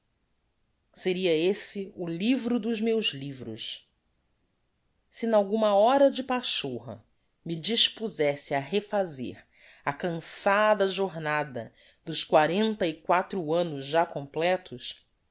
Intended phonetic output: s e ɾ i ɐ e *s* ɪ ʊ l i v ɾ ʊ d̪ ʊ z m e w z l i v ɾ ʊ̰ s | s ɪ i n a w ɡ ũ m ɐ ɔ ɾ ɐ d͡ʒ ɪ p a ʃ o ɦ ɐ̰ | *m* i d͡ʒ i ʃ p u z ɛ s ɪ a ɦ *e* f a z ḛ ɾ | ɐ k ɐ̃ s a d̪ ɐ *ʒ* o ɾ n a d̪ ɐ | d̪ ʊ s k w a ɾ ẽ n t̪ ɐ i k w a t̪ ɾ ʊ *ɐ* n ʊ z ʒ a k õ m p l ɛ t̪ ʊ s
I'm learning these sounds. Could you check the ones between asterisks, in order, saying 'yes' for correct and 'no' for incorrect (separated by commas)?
yes, yes, yes, yes, no